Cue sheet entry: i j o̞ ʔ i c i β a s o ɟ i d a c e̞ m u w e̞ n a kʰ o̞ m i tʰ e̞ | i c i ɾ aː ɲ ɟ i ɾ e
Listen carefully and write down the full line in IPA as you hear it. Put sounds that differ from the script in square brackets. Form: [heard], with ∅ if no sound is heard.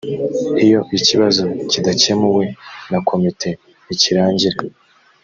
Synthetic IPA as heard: i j o̞ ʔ i c i β a [z] o [c] i d a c e̞ m u w e̞ n a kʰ o̞ m i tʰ e̞ | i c i ɾ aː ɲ ɟ i ɾ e

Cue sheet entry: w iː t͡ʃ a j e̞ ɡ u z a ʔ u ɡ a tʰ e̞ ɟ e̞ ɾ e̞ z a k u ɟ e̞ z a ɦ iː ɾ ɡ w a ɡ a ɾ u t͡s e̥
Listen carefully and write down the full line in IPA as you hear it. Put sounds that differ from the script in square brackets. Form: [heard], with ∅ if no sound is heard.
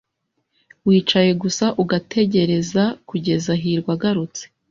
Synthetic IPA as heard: w iː t͡ʃ a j e̞ ɡ u [s] a ʔ u ɡ a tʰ e̞ ɟ e̞ ɾ e̞ z a k u ɟ e̞ z a ɦ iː ɾ ɡ w a ɡ a ɾ u t͡s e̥

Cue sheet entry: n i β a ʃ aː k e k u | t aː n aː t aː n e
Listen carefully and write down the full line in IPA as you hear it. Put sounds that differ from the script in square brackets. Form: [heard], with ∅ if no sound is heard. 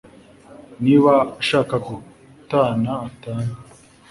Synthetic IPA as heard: n i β a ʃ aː k [a] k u | t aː n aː t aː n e

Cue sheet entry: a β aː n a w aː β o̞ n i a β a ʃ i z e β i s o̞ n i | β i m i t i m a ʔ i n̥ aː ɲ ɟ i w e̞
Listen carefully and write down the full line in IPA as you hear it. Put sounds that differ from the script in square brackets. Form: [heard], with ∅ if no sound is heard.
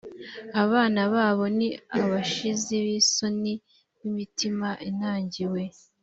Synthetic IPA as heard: a β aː n a [β] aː β o̞ n i a β a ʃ i z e β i s o̞ n i | β i m i t i m a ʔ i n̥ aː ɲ ɟ i w e̞

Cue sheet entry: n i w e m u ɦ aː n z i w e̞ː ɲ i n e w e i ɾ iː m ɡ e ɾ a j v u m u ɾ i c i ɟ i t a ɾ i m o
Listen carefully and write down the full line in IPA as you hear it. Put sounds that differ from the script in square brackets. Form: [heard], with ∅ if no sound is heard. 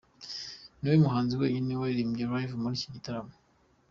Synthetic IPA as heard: n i w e m u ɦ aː n z i w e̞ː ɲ i n e w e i ɾ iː m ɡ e ɾ a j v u m u ɾ i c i ɟ i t a ɾ [a] m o

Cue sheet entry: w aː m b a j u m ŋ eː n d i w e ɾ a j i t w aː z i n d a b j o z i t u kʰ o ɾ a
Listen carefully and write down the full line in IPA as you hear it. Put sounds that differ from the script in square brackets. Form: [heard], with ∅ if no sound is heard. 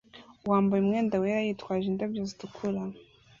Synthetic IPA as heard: w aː m b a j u m ŋ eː n d [a] w e ɾ a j i t w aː [ʒ] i n d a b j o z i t u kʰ [u] ɾ a

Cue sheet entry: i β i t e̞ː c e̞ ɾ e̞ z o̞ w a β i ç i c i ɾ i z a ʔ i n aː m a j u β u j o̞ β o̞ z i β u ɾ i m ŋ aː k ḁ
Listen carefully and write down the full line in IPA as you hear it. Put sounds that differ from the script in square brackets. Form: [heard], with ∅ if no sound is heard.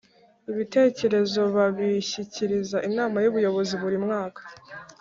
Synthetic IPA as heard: i β i t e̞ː c e̞ ɾ e̞ z o̞ [β] a β i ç i c i ɾ i z a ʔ i n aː m a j u β u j o̞ β o̞ z i β u ɾ i m ŋ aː k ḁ

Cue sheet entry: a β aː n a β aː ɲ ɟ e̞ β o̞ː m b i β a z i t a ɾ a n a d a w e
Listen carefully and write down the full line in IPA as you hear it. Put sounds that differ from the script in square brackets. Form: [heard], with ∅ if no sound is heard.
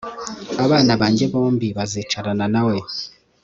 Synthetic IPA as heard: a β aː n a β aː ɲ ɟ e̞ β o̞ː m b i β a z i [t͡ʃ] a ɾ a n a [n] a w e

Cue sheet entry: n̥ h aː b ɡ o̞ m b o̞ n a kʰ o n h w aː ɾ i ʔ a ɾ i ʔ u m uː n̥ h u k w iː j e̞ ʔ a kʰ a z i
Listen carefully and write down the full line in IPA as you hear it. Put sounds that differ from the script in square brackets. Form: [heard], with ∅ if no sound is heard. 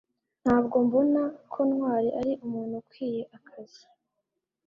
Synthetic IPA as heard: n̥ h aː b ɡ o̞ m b o̞ n a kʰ o n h w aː ɾ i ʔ a ɾ i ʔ u m uː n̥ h u k w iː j e̞ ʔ a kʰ a z i

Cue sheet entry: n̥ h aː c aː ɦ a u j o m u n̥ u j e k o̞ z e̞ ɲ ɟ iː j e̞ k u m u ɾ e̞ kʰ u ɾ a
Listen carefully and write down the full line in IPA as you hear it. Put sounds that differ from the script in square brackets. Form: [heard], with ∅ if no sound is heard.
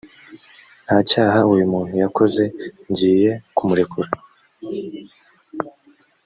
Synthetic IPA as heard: n̥ h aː c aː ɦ a u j [u] m u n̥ u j [a] k o̞ z e̞ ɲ ɟ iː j e̞ k u m u ɾ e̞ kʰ u ɾ a

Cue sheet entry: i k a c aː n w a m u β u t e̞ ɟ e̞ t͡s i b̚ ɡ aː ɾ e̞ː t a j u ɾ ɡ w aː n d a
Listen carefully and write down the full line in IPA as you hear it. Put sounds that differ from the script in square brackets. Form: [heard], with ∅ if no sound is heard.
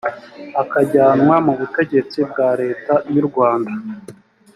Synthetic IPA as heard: [a] k a [ɟ] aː n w a m u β u t e̞ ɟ e̞ t͡s i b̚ ɡ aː ɾ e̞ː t a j u ɾ ɡ w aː n d a

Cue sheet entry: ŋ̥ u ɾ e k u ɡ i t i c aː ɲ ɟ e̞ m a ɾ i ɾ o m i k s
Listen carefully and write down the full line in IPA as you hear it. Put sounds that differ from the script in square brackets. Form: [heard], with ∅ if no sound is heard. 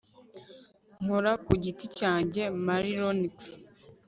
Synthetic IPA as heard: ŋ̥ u ɾ [a] k u [ɟ] i t i c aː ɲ ɟ e̞ m a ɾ i ɾ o [n] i k s

